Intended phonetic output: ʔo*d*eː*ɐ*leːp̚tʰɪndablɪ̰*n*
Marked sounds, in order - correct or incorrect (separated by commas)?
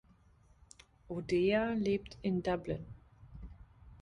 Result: correct, incorrect, correct